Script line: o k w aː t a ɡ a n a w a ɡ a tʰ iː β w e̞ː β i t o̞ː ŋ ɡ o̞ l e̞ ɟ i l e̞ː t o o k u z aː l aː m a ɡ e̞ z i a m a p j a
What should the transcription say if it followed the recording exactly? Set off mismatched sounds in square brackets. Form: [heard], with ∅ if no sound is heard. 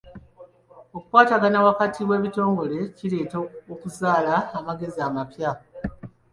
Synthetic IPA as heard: o k w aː t a ɡ a n a w a [k] a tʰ [i] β w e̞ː β i t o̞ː ŋ ɡ o̞ l e̞ [c] i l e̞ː t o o k u z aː l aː m a ɡ e̞ z i a m a p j a